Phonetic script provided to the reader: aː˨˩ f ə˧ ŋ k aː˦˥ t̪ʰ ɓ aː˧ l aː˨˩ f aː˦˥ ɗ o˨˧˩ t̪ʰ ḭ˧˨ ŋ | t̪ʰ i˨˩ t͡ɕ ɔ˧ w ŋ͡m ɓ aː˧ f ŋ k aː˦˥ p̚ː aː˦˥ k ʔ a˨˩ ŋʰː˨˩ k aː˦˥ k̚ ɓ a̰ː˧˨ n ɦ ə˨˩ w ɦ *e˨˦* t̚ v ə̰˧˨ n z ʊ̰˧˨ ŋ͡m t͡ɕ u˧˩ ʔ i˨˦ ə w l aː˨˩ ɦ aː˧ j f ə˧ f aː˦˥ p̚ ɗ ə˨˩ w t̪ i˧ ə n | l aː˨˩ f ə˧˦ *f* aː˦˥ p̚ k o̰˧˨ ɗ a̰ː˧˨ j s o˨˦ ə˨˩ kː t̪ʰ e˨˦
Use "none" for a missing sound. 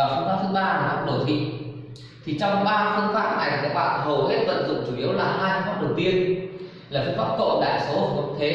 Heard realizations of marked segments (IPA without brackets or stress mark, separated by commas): e˦˥, f